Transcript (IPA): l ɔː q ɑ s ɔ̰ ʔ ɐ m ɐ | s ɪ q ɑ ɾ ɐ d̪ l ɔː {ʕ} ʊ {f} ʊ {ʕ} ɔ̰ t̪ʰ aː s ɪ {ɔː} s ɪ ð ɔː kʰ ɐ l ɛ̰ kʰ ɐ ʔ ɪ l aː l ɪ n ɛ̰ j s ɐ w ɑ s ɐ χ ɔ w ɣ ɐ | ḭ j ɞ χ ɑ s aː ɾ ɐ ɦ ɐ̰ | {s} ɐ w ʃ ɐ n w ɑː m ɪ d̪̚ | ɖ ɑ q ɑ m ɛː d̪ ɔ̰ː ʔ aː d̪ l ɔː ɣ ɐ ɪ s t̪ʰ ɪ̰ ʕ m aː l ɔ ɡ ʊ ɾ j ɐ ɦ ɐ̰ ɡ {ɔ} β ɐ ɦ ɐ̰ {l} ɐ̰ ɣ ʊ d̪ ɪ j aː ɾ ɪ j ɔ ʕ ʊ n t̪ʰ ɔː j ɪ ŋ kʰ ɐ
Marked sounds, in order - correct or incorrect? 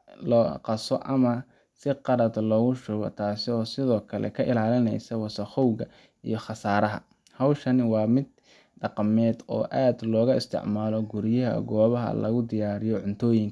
incorrect, incorrect, incorrect, correct, incorrect, incorrect, correct

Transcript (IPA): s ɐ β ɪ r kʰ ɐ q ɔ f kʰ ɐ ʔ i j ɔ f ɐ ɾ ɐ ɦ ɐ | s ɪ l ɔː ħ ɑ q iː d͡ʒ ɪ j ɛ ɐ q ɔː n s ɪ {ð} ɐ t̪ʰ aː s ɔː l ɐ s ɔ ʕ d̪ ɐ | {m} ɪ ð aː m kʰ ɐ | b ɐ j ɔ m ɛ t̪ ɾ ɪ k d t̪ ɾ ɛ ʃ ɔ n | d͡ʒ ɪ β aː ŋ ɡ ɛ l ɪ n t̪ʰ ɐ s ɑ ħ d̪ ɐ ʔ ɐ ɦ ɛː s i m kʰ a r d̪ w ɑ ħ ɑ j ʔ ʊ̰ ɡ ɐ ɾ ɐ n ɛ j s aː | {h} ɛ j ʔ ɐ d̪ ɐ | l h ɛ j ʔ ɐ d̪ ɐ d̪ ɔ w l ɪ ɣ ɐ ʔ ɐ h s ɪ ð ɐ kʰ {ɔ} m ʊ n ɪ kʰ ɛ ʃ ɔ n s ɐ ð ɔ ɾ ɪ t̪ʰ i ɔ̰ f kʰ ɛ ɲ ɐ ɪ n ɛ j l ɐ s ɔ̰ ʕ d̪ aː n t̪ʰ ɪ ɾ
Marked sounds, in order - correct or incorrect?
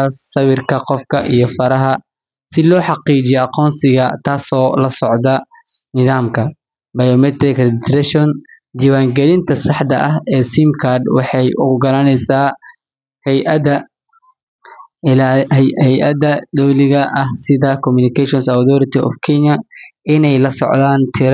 incorrect, incorrect, correct, correct

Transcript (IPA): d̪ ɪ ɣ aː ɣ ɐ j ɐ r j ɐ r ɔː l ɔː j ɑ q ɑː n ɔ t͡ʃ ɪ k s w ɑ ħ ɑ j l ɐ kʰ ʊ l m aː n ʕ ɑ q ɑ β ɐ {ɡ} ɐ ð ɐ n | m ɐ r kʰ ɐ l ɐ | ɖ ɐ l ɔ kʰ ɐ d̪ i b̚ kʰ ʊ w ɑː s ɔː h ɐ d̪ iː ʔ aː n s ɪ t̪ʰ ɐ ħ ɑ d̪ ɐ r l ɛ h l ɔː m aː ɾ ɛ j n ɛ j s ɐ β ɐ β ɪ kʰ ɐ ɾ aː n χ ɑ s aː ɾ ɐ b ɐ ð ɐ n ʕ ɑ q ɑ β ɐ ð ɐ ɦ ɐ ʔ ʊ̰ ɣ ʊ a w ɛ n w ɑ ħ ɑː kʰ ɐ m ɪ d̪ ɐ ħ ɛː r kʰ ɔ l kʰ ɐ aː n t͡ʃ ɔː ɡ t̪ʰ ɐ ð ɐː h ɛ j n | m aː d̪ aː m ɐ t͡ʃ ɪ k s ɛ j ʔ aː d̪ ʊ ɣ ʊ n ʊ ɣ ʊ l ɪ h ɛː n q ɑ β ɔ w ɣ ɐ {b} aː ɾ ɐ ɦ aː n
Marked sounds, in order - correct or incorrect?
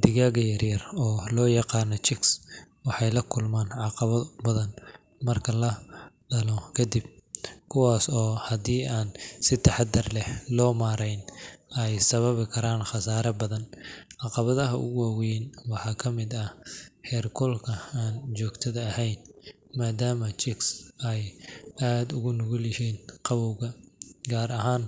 incorrect, incorrect

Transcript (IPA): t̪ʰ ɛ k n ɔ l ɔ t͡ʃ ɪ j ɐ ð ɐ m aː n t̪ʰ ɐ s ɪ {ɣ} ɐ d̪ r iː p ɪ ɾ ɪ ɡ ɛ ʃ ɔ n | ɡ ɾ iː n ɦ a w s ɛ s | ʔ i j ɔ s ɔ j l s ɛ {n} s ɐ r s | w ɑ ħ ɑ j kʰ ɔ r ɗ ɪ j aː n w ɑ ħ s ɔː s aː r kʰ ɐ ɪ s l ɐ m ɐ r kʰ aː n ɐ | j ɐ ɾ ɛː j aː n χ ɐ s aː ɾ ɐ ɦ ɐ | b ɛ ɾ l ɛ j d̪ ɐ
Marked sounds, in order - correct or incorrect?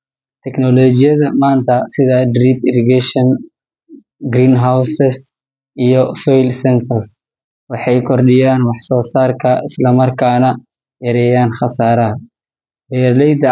incorrect, correct

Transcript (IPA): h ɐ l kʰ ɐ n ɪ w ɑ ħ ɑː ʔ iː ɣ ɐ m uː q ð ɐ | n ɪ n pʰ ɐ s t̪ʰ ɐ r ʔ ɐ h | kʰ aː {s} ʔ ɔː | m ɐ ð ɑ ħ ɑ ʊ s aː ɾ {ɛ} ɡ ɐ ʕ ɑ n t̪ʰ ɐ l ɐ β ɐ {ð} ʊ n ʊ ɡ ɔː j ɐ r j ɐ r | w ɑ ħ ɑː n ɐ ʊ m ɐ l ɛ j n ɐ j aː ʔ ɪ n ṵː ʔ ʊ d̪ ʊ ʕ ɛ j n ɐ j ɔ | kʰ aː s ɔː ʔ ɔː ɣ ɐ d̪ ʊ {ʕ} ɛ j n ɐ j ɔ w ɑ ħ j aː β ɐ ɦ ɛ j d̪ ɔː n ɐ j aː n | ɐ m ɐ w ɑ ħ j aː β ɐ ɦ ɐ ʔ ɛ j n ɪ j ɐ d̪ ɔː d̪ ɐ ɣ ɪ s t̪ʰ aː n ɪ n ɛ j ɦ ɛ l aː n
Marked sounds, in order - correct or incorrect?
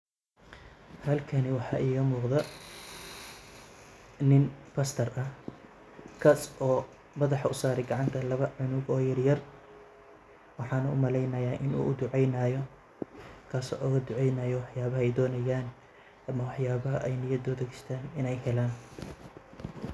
correct, correct, incorrect, correct

